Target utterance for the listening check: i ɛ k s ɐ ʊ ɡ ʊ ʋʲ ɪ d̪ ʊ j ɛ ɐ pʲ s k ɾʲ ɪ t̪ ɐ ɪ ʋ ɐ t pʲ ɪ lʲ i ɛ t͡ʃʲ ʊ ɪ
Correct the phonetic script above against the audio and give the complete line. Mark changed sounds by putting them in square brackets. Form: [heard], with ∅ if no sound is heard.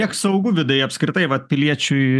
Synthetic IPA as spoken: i ɛ k s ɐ ʊ ɡ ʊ ʋʲ ɪ d̪ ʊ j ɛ ɐ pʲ s k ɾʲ ɪ t̪ ɐ ɪ ʋ ɐ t pʲ ɪ lʲ i ɛ t͡ʃʲ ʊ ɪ